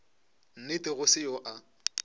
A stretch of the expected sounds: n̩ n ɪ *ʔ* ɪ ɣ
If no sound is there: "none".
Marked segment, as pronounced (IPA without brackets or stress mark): t